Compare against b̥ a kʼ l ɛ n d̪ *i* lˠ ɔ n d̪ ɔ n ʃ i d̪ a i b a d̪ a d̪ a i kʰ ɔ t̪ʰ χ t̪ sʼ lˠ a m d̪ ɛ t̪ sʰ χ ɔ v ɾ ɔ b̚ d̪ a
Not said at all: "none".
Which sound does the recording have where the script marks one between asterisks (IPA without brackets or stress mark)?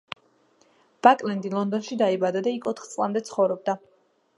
i